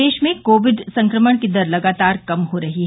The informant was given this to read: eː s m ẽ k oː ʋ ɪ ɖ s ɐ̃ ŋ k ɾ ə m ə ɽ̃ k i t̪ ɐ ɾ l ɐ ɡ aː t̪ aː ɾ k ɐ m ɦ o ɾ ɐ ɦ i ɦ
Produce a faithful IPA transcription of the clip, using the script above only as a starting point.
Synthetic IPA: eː ʃ m ẽ k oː ʋ ɪ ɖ s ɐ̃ ŋ k ɾ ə m ə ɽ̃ k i d̪ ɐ ɾ l ɐ ɡ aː t̪ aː ɾ k ɐ m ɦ o ɾ ɐ ɦ i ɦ